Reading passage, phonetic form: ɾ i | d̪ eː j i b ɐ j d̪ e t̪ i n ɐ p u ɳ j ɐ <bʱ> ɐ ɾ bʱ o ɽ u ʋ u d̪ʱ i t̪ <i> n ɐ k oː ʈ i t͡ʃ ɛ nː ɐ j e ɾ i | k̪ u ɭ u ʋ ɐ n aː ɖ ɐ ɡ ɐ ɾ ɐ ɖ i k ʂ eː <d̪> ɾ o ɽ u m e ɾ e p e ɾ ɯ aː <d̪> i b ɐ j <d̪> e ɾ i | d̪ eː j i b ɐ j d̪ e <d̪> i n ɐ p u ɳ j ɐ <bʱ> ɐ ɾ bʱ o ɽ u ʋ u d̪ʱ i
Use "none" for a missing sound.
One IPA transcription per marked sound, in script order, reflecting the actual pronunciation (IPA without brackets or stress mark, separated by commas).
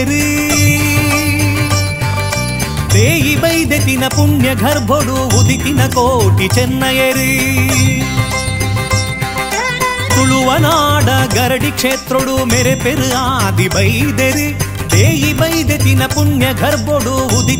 ɡʱ, i, t̪, d̪, d̪, t̪, ɡʱ